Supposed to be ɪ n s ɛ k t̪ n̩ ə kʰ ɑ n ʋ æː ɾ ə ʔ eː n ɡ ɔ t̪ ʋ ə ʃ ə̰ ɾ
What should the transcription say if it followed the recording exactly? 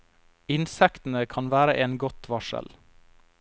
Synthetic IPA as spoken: ɪ n s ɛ k t̪ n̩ ə kʰ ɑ n ʋ æː ɾ ə ʔ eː n ɡ ɔ t̪ ʋ ɑ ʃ ə̰ l

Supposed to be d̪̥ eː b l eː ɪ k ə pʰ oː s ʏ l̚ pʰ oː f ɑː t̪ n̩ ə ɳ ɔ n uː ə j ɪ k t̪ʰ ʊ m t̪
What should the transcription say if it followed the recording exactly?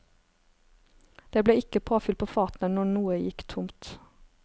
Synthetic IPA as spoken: d̪̥ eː b l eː ɪ k ə pʰ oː f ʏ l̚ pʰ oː f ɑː t̪ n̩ ə n ɔ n uː ə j ɪ k t̪ʰ ʊ m t̪

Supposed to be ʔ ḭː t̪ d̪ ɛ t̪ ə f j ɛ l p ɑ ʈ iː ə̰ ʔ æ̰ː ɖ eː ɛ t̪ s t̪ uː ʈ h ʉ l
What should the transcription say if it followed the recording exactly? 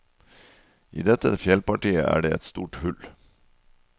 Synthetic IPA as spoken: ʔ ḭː d̪ ɛ t̪ ə f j ɛ l p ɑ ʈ iː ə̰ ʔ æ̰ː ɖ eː ɛ t̪ s t̪ uː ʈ h ʉ l

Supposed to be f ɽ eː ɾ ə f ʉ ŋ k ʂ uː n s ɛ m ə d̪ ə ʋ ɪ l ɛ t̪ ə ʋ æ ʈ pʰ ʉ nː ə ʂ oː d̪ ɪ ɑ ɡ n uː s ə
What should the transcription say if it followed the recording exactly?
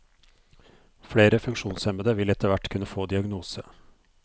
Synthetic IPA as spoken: f ɽ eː ɾ ə f ʉ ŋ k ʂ uː n s ɛ m ə d̪ ə ʋ ɪ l ɛ t̪ ə ʋ æ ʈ kʰ ʉ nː ə f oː d̪ ɪ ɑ ɡ n uː s ə

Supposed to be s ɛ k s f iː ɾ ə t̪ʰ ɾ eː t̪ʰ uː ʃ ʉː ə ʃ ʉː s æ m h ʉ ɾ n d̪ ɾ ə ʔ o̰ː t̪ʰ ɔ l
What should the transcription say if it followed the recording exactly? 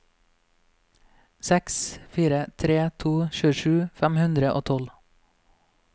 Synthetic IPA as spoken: s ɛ k s f iː ɾ ə t̪ʰ ɾ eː t̪ʰ uː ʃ ʉː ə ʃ ʉː f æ m h ʉ n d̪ ɾ ə ʔ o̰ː t̪ʰ ɔ l

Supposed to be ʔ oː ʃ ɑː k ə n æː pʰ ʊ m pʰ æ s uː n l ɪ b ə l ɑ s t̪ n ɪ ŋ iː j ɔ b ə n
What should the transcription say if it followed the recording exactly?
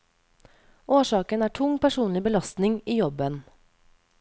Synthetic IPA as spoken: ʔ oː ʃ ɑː k ə n æː ʈʰ ʊ ŋ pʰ æ ʃ uː n l ɪ b ə l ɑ s t̪ n ɪ ŋ iː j ɔ b ə n

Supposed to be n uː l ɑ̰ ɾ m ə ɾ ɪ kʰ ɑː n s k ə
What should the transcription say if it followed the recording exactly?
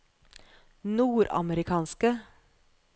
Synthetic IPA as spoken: n uː ɾ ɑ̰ m ə ɾ ɪ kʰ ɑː n s k ə

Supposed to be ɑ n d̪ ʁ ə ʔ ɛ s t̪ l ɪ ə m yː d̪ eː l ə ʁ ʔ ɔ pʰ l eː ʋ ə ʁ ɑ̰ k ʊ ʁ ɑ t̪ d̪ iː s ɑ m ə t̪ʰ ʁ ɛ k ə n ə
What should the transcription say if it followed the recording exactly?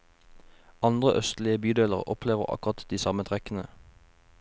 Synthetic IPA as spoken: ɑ n d̪ ʁ ə ʔ œ s t̪ l ɪ ə b yː d̪ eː l ə ʁ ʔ ɔ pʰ l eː ʋ ə ʁ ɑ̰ k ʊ ʁ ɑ t̪ d̪ iː s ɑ m ə t̪ʰ ʁ ɛ k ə n ə

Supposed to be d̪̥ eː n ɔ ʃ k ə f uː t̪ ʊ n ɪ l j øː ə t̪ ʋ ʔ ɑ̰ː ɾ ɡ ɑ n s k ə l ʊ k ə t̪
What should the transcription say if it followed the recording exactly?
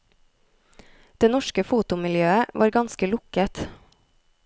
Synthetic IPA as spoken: d̪̥ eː n ɔ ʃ k ə f uː t̪ ʊ m ɪ l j øː ə ʋ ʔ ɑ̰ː ɾ ɡ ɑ n s k ə l ʊ k ə t̪

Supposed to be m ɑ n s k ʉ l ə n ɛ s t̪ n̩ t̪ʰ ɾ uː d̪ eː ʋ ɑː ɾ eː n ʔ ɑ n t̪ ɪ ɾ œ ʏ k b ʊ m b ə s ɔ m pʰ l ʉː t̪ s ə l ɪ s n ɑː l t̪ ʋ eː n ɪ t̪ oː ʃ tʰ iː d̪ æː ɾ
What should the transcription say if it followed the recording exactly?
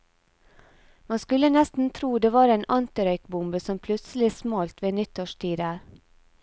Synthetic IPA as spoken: m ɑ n s k ʉ l ə n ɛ s t̪ n̩ t̪ʰ ɾ uː d̪ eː ʋ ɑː ɾ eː n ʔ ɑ n t̪ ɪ ɾ œ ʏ k b ʊ m b ə s ɔ m pʰ l ʉ t̪ s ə l ɪ s m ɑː l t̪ ʋ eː n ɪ t̪ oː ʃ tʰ iː d̪ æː ɾ

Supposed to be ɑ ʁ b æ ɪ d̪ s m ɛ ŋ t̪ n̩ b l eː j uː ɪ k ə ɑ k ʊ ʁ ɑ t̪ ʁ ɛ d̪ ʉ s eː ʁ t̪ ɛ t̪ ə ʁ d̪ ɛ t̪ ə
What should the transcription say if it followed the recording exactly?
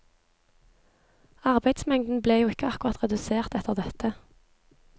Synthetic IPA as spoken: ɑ ʁ b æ ɪ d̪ s m ɛ ŋ d̪ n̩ b l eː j uː ɪ k ə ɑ k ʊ ʁ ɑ t̪ ʁ ɛ d̪ ʉ s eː ʁ t̪ ɛ t̪ ə ʁ d̪ ɛ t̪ ə

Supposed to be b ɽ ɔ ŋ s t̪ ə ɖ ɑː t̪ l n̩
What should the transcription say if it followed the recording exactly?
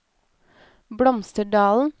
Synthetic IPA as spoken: b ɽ ɔ m s t̪ ə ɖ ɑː l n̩

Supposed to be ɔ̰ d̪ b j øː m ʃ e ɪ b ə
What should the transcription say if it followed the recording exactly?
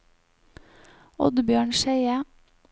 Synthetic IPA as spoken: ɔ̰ d̪ b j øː ɳ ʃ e ɪ ə

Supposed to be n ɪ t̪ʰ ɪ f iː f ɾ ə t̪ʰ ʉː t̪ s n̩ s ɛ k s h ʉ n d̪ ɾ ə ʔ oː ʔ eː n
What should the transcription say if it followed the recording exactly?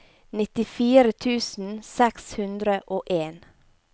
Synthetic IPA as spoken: n ɪ t̪ ɪ f iː ɾ ə t̪ʰ ʉː s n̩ s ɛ k s h ʉ n d̪ ɾ ə ʔ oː ʔ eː n

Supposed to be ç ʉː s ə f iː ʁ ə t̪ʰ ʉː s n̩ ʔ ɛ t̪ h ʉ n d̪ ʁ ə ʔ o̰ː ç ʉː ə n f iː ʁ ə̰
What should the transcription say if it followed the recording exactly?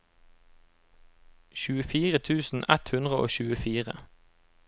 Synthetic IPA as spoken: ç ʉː ə f iː ʁ ə t̪ʰ ʉː s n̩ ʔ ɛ t̪ h ʉ n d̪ ʁ ə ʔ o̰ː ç ʉː ə f iː ʁ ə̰

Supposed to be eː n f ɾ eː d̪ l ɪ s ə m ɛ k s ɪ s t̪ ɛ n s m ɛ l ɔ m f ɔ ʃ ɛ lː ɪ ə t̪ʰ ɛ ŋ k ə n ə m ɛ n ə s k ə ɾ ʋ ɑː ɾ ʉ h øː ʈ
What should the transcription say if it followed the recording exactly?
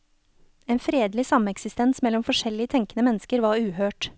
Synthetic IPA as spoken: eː n f ɾ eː d̪ l ɪ s ɑ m ɛ k s ɪ s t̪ ɛ n s m ɛ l ɔ m f ɔ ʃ ɛ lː ɪ ə t̪ʰ ɛ ŋ k ə n ə m ɛ n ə s k ə ɾ ʋ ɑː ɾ ʉː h øː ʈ

